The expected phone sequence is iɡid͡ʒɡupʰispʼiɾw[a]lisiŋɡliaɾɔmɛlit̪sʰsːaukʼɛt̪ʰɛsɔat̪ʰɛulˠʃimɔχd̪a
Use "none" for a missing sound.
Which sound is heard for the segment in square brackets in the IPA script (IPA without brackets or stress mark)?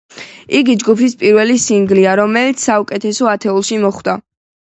ɛ